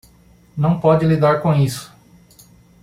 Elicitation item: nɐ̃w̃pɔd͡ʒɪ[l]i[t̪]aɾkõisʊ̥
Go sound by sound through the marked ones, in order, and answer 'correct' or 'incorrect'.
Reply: correct, incorrect: d̪

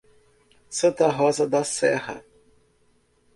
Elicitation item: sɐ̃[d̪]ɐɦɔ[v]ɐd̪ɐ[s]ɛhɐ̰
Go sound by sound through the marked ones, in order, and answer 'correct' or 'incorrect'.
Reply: incorrect: t̪, incorrect: z, correct

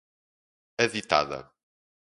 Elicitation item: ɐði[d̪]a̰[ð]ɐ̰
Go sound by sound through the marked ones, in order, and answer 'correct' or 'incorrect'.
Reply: incorrect: t̪, correct

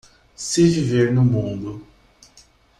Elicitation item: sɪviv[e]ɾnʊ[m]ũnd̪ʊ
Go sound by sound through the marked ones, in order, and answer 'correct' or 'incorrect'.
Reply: correct, correct

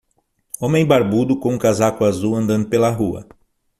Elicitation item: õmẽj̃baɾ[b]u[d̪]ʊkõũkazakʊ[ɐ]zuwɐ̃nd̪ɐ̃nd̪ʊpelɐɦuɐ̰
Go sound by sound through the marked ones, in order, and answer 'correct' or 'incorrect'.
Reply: correct, correct, incorrect: a

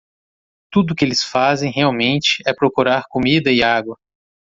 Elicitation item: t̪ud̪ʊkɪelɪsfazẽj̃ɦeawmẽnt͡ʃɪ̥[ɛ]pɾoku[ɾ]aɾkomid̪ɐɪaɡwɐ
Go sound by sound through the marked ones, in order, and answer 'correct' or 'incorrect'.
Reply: correct, correct

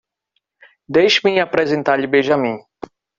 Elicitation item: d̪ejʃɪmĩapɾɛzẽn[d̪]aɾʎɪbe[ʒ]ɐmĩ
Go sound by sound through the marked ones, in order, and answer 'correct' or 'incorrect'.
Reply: incorrect: t̪, correct

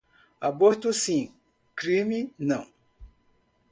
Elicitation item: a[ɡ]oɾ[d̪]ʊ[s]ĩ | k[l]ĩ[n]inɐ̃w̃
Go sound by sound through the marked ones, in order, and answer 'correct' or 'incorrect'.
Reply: incorrect: b, incorrect: t̪, correct, incorrect: ɾ, incorrect: m

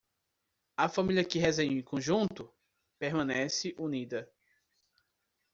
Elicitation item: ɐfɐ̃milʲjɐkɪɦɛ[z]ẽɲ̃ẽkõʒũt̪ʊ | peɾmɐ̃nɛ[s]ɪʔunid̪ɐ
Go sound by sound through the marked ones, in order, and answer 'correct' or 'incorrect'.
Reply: correct, correct

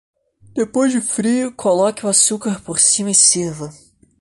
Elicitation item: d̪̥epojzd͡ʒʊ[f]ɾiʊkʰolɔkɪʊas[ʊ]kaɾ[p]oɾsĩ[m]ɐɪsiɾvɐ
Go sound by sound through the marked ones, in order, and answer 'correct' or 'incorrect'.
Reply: correct, incorrect: u, correct, correct

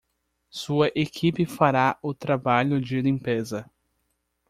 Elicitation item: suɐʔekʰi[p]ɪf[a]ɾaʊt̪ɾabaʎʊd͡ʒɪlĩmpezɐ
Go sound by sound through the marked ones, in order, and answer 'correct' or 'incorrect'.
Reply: correct, correct

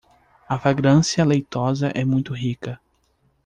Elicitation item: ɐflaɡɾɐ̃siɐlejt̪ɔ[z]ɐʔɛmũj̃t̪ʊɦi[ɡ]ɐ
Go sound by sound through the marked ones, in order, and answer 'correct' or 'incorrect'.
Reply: correct, incorrect: k

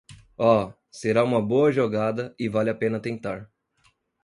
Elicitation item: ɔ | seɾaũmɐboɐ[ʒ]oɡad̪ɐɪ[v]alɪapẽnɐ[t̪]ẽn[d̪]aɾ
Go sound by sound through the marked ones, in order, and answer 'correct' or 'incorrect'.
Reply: correct, correct, correct, incorrect: t̪

